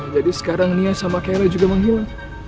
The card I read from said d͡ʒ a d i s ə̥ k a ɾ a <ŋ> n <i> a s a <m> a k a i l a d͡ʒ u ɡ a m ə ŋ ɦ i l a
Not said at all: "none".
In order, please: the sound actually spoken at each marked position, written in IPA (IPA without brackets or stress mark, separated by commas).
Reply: ŋ, i, m